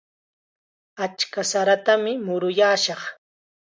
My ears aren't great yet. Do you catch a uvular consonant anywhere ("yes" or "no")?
yes